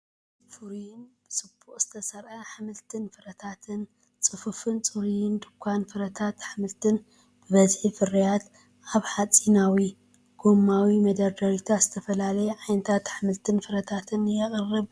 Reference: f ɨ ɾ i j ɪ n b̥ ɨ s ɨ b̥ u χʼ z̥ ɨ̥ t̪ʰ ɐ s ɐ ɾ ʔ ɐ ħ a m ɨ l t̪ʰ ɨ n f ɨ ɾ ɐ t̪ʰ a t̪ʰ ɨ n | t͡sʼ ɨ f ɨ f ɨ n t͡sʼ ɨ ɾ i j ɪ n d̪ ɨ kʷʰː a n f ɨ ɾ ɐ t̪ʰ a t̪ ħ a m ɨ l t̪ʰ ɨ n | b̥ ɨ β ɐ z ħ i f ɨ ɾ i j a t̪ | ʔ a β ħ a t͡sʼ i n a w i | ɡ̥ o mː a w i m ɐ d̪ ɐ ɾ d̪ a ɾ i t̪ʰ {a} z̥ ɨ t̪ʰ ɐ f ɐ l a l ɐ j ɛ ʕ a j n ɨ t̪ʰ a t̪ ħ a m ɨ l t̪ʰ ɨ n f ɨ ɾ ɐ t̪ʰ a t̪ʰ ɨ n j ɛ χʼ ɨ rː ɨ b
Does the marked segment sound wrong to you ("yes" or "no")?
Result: no